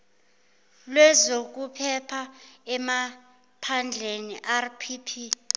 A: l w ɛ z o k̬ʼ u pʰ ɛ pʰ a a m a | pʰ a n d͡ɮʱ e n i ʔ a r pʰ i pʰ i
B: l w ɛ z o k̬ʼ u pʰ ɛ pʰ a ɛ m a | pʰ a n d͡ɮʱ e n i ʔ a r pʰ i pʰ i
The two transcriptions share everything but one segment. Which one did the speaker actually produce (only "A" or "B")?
B